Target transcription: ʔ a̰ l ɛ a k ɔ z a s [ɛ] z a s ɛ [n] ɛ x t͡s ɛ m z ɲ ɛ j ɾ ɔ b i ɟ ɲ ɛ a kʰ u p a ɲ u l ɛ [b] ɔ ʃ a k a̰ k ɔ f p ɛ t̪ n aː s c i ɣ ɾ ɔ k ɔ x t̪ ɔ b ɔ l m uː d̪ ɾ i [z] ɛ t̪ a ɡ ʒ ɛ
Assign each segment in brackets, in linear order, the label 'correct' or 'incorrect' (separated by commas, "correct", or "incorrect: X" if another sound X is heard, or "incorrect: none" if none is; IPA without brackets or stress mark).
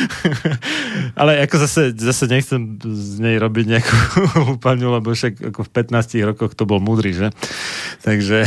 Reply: correct, incorrect: ɲ, correct, incorrect: ʒ